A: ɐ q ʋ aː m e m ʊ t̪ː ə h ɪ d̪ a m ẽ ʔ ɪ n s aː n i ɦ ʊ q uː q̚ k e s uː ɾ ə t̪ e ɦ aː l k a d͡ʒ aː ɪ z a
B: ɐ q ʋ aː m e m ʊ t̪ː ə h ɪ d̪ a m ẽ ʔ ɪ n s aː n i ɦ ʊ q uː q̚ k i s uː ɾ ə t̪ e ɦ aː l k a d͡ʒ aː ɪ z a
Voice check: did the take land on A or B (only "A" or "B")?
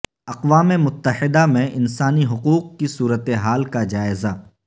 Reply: B